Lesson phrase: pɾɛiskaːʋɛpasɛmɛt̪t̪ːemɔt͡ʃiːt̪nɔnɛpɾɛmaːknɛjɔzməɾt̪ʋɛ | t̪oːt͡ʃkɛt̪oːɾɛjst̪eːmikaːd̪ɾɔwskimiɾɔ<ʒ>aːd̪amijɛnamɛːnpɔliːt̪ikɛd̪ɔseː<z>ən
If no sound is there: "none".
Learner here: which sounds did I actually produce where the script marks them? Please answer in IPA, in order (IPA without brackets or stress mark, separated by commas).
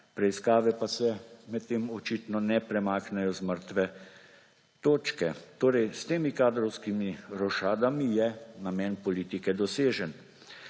ʃ, ʒ